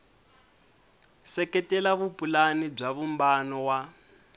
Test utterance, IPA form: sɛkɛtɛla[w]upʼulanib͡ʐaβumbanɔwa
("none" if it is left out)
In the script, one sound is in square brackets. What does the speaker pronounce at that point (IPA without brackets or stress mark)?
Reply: β